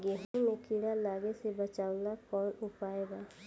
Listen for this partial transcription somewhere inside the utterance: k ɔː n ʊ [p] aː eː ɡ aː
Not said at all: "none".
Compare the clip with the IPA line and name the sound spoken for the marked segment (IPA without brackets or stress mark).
p